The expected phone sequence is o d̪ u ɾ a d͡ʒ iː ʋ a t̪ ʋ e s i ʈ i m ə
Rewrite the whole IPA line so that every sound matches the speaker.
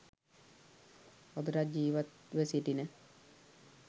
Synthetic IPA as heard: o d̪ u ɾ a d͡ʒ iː ʋ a t̪ ʋ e s i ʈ i n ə